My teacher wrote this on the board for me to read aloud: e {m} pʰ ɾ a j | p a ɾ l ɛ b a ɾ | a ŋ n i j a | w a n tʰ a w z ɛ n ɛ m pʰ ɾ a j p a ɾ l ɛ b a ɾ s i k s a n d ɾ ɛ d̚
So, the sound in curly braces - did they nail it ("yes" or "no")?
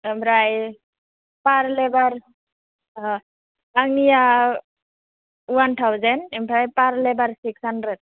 yes